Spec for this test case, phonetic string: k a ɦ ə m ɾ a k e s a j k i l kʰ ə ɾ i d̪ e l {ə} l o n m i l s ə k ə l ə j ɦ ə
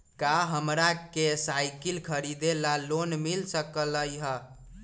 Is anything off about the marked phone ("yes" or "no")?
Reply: yes